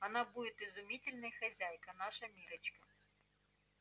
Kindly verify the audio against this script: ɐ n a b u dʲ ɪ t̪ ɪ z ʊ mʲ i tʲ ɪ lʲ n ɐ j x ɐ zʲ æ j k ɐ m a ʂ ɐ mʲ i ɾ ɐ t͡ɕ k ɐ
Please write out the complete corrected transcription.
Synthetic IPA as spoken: ɐ n a b u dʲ ɪ t̪ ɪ z ʊ mʲ i tʲ ɪ lʲ n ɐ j x ɐ zʲ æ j k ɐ n a ʂ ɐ mʲ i ɾ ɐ t͡ɕ k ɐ